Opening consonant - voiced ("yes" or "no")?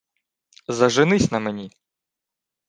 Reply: yes